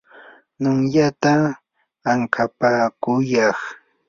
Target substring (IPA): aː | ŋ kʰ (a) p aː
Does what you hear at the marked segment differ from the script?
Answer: no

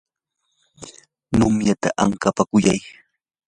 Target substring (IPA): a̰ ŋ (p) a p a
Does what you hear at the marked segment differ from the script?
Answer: yes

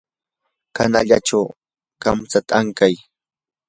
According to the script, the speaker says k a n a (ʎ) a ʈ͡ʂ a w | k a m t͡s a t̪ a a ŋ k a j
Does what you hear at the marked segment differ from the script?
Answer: no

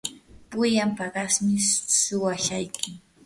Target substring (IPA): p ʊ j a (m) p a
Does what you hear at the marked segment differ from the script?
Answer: no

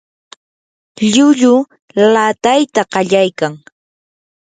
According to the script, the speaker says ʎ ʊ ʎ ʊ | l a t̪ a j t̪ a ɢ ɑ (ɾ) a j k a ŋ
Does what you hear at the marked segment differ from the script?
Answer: yes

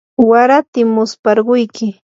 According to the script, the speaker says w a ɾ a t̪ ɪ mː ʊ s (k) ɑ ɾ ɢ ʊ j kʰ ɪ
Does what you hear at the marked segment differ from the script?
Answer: yes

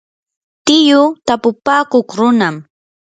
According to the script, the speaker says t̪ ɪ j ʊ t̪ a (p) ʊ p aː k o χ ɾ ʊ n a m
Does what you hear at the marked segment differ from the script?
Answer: no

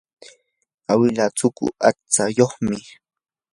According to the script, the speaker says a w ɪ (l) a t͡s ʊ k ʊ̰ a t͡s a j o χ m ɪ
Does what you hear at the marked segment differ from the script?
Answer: no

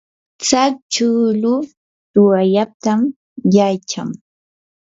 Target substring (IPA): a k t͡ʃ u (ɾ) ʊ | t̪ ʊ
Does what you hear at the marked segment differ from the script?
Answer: yes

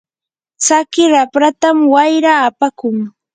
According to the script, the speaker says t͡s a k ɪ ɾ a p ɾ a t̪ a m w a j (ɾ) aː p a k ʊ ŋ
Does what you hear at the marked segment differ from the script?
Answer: no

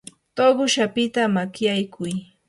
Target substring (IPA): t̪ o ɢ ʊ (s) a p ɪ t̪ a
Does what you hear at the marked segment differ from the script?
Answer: yes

